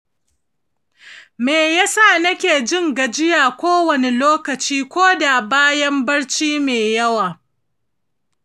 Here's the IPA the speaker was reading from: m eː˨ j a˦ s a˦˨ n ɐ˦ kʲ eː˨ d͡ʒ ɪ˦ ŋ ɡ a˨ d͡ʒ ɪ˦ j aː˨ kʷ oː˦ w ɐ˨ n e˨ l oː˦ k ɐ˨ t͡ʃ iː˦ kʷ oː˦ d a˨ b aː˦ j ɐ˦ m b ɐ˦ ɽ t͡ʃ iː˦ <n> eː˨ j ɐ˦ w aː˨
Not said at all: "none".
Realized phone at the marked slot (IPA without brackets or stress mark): m